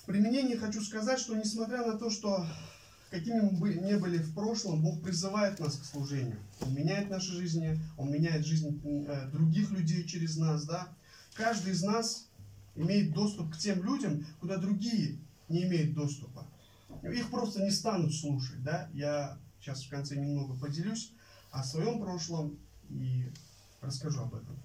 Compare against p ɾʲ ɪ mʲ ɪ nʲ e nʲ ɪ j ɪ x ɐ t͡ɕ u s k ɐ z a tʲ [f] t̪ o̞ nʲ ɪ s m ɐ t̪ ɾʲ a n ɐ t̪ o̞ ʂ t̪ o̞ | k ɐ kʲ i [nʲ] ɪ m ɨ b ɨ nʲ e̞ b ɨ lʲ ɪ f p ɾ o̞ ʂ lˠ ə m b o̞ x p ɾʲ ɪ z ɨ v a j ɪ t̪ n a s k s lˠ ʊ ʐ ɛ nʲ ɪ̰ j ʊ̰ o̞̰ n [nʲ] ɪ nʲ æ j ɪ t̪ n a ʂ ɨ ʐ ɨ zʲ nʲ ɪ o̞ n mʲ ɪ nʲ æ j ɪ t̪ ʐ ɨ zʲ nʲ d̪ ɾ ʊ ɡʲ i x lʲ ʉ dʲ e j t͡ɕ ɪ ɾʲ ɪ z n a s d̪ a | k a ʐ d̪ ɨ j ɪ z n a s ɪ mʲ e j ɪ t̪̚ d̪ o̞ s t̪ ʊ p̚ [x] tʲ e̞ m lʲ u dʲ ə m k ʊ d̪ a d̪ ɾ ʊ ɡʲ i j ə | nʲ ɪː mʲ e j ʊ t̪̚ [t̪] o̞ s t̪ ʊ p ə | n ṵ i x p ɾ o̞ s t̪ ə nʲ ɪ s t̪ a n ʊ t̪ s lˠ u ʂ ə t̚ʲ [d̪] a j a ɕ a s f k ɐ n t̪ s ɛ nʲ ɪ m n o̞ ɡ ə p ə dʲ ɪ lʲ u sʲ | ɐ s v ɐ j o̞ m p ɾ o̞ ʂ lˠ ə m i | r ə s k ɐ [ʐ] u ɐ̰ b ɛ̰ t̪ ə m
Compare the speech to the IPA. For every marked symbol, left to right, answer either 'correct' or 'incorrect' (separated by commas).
incorrect, incorrect, incorrect, incorrect, incorrect, correct, correct